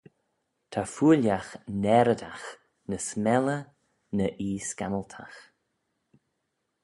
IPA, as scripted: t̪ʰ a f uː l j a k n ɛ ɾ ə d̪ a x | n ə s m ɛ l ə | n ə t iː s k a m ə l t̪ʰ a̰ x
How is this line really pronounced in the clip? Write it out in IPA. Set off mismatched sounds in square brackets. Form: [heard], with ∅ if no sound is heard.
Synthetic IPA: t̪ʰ a f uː l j a [x] n ɛ ɾ ə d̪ a x | n ə s m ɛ l ə | n ə [ʔ] iː s k a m ə l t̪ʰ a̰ x